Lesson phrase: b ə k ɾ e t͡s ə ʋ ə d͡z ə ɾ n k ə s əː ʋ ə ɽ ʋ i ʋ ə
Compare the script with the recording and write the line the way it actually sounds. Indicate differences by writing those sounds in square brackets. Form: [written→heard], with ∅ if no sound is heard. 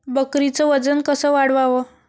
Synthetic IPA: b ə k ɾ [e→i] t͡s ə ʋ ə d͡z ə [ɾ→∅] n k ə s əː ʋ [ə→a] ɽ ʋ [i→a] ʋ ə